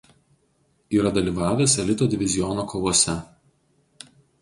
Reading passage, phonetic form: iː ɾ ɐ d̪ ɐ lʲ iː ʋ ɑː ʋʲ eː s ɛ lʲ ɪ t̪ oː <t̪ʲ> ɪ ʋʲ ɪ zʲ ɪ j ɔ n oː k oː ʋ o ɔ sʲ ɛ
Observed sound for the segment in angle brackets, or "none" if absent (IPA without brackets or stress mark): d̪ʲ